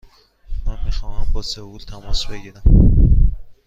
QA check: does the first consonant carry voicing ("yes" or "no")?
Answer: yes